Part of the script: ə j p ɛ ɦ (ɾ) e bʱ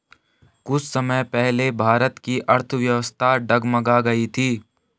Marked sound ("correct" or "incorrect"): incorrect